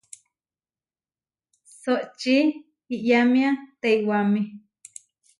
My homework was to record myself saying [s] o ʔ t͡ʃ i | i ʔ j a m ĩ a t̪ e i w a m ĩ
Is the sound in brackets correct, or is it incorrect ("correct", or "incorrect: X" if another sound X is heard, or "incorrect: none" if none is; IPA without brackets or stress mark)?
correct